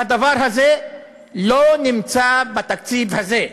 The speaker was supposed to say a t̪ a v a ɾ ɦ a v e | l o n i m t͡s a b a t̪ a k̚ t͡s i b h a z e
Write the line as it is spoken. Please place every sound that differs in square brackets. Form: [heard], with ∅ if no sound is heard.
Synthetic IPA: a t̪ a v a ɾ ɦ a [z] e | l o n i m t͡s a b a t̪ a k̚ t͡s i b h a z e